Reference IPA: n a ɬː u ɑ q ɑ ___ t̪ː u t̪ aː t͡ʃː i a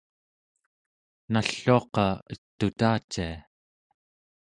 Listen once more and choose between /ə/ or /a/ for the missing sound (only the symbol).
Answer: ə